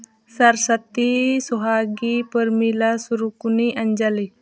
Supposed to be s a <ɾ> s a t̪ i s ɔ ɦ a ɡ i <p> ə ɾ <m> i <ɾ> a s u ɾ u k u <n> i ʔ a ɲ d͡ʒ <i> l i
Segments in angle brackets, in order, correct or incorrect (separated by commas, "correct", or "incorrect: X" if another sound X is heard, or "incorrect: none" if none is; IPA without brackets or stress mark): correct, correct, correct, incorrect: l, correct, incorrect: a